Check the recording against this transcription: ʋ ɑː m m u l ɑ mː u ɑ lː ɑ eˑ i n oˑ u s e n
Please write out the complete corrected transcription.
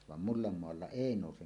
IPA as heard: ʋ ɑ m m u lː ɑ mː o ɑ lː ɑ eˑ i n oˑ u s e n